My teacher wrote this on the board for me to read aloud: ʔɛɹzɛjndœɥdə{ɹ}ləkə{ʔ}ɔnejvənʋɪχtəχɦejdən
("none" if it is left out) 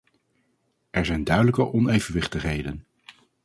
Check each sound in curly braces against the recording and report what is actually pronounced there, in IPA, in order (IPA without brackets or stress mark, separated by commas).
none, ʔ